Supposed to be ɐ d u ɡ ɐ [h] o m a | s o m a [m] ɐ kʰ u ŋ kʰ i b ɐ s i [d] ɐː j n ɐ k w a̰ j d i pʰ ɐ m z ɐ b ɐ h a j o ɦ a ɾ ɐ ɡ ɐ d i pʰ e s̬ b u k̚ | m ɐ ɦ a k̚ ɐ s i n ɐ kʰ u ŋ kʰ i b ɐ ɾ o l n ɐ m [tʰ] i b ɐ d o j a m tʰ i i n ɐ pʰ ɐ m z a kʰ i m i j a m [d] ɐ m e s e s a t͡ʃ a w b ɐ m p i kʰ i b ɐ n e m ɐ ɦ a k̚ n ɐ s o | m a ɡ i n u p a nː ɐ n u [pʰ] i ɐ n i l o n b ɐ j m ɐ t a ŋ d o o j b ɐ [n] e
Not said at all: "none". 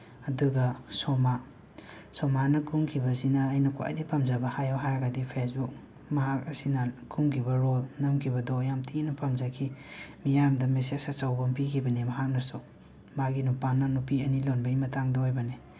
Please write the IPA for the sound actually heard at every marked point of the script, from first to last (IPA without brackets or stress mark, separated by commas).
s, n, n, kʰ, d, p, n